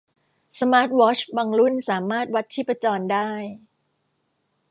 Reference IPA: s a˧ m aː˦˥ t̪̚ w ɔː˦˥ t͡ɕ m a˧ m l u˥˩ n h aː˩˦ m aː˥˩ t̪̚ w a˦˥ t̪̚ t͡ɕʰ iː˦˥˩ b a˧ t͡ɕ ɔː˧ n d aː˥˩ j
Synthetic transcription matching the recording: s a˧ m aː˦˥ t̪̚ w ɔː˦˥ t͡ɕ b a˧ ŋ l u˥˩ n s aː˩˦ m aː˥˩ t̪̚ w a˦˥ t̪̚ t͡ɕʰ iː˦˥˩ p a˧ t͡ɕ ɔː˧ n d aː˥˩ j